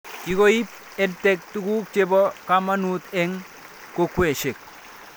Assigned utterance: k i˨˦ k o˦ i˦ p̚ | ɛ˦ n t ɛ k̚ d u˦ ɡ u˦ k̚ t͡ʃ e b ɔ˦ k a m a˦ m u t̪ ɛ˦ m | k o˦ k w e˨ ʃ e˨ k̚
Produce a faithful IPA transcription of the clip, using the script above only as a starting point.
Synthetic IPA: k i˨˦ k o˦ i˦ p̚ | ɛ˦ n t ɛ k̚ t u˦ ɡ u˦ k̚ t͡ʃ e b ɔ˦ k a m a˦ n u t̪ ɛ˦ ŋ | k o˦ k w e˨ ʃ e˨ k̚